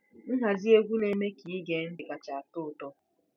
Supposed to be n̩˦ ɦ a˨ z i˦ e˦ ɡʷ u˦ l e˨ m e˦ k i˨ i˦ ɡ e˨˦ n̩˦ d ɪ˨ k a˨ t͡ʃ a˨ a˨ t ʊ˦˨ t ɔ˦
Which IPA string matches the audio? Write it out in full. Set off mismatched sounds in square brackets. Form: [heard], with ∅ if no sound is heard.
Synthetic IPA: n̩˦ ɦ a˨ z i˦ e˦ ɡʷ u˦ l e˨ m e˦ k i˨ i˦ ɡ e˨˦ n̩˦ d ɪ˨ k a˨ t͡ʃ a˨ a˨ t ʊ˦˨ t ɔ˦